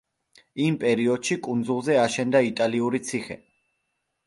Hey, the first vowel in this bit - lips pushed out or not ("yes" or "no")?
no